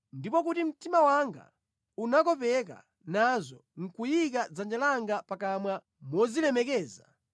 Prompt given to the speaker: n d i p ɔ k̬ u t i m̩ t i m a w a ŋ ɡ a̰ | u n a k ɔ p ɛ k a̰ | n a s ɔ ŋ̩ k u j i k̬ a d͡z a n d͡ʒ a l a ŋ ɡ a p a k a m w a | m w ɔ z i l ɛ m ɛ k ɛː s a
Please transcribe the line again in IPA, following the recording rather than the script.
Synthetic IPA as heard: n d i p ɔ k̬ u t i m̩ t i m a w a ŋ ɡ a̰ | u n a k ɔ p ɛ k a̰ | n a z ɔ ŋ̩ k u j i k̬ a d͡z a n d͡ʒ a l a ŋ ɡ a p a k a m w a | m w ɔ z i l ɛ m ɛ k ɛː z a